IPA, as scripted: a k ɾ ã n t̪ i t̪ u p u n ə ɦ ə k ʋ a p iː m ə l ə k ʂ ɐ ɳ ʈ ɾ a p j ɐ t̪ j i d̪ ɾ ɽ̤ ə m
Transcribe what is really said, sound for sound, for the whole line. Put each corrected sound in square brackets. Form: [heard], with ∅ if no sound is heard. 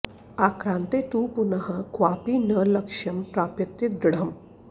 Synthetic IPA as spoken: a k ɾ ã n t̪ [e] t̪ u p u n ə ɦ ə k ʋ a p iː [n] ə l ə k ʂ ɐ [m] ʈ ɾ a p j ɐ t̪ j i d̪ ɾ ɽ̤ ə m